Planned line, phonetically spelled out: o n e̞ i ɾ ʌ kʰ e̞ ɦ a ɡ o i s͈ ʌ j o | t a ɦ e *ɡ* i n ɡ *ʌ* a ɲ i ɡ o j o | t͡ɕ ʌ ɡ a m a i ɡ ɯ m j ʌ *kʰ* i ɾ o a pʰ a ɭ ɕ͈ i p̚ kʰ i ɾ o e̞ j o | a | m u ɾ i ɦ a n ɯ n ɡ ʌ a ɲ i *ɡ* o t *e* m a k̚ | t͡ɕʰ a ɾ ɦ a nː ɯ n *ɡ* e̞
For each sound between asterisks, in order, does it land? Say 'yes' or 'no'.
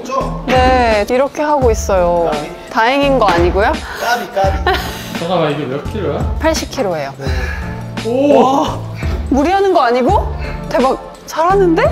no, yes, yes, yes, yes, no

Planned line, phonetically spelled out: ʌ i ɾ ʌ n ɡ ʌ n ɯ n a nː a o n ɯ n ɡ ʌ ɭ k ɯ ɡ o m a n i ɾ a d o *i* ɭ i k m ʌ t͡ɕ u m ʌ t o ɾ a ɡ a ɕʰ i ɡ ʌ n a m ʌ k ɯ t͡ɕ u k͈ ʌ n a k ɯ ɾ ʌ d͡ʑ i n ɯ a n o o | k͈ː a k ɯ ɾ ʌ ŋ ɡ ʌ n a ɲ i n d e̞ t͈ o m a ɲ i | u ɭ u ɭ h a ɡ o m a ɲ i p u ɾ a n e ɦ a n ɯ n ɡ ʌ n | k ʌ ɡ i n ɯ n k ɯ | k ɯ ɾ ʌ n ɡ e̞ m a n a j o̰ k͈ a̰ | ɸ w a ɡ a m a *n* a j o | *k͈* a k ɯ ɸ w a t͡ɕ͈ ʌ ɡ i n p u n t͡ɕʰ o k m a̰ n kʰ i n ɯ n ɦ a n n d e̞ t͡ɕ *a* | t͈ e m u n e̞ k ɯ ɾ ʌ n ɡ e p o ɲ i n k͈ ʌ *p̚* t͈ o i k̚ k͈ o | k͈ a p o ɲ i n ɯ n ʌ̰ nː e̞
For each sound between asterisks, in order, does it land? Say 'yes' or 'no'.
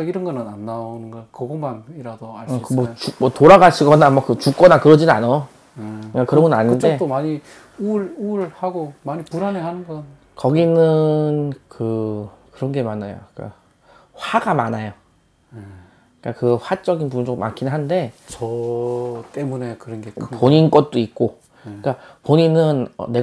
no, yes, yes, no, no

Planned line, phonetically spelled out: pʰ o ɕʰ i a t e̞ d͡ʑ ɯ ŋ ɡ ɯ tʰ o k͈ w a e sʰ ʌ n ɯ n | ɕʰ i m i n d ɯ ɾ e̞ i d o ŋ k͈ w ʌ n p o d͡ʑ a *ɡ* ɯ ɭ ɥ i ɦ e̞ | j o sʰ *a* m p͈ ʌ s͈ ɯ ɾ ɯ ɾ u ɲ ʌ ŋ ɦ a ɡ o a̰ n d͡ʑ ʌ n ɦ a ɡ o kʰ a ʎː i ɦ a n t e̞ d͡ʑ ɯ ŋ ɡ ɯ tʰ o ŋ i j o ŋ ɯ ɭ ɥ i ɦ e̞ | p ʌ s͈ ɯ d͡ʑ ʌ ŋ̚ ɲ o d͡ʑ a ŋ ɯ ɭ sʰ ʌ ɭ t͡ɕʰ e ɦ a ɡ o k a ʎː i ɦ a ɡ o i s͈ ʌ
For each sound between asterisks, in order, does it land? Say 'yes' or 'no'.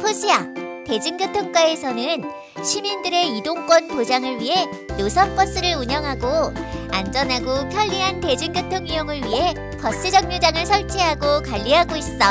no, no

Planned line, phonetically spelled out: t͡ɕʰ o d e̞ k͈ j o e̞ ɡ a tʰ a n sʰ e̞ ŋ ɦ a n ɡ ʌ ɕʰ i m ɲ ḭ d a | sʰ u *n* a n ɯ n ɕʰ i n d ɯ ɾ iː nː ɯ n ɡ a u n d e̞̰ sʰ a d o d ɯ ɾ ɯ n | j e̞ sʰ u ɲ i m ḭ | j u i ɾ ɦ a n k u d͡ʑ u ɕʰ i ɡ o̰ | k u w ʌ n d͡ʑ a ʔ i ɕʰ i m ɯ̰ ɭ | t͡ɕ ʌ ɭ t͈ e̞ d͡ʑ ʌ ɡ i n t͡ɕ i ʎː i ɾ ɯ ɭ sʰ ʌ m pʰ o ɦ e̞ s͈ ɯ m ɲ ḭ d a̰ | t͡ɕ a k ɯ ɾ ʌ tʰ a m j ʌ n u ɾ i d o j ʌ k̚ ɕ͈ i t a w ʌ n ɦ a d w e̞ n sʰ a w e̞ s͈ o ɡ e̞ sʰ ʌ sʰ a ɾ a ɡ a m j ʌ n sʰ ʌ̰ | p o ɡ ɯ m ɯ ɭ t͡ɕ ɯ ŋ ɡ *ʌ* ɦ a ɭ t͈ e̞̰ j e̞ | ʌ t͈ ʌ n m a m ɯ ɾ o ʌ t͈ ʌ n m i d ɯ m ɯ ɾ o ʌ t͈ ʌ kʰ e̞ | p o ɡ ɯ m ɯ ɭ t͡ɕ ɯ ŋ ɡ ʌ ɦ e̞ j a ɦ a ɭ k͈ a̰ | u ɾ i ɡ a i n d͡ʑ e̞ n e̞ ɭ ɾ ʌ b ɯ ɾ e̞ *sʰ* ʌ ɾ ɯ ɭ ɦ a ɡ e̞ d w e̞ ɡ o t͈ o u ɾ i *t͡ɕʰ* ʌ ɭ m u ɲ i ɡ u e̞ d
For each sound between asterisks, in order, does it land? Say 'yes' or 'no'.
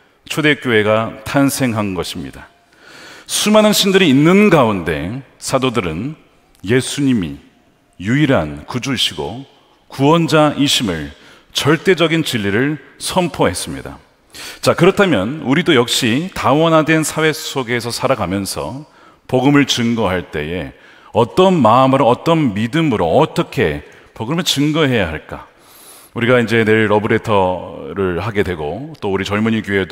no, yes, no, no

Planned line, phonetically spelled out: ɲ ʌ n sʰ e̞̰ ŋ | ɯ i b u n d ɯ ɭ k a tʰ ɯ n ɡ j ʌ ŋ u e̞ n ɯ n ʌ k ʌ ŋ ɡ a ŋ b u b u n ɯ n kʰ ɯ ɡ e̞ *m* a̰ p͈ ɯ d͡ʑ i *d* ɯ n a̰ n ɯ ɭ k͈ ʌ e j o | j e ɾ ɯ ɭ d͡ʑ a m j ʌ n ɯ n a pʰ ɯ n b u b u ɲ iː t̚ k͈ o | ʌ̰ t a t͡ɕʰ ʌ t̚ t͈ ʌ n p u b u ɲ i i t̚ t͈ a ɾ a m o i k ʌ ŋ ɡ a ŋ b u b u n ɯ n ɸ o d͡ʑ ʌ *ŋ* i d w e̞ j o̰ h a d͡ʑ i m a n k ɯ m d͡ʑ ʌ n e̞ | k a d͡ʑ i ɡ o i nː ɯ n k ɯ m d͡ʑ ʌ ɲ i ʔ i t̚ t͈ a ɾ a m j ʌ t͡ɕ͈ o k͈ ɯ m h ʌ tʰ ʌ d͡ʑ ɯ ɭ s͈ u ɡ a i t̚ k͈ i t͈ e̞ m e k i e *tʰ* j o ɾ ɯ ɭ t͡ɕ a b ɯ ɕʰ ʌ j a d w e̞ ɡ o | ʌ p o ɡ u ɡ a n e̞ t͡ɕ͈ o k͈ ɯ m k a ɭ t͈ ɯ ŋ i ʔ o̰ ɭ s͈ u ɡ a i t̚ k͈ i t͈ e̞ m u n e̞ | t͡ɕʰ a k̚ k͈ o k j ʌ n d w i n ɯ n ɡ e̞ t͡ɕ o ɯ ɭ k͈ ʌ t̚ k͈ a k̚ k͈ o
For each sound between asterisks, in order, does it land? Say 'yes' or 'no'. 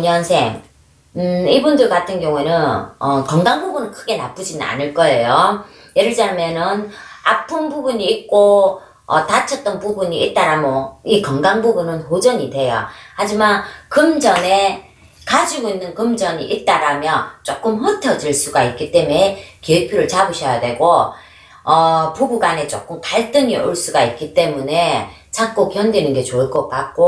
no, no, no, no

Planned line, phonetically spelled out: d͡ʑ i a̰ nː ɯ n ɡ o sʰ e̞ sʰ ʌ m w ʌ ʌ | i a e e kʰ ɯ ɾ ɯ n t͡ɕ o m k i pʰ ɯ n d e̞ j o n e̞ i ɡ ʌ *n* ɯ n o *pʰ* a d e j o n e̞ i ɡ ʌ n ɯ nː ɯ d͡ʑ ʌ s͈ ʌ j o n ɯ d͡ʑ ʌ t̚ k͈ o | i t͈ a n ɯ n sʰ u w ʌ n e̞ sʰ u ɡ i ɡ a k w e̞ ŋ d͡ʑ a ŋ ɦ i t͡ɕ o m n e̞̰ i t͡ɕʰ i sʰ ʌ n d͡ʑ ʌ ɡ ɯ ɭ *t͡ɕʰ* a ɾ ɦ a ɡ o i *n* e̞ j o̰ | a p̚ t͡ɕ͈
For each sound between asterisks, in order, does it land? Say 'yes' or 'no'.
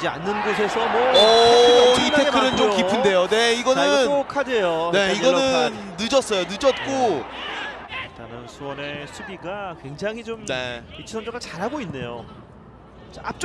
yes, no, no, no

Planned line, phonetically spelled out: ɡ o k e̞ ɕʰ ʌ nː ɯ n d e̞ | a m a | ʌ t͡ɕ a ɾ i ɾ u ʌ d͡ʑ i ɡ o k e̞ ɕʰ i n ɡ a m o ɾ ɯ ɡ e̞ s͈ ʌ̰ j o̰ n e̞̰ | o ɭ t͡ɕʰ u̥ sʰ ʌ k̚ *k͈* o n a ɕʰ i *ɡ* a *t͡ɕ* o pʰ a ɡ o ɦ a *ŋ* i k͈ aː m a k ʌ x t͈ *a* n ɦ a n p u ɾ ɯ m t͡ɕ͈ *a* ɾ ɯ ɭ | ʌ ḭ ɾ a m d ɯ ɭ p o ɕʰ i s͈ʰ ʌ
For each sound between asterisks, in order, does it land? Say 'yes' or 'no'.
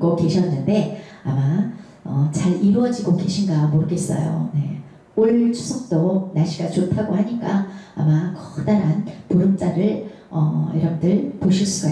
no, yes, yes, no, yes, yes

